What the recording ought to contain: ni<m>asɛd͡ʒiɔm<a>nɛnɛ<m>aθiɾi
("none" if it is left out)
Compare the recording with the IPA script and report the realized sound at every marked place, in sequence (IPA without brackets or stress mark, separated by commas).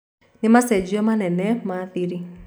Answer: m, a, m